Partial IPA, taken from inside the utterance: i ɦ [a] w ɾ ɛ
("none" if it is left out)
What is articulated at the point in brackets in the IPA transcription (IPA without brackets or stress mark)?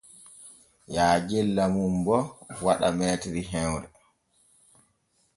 ɛ